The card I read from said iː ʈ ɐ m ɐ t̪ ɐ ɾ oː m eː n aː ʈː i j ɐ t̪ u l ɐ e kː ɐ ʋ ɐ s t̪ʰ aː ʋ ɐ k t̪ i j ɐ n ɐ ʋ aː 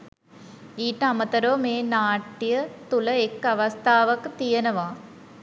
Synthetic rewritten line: iː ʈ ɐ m ɐ t̪ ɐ ɾ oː m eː n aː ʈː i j ɐ t̪ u l ɐ e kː ɐ ʋ ɐ s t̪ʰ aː ʋ ɐ k t̪ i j ɐ n ɐ ʋ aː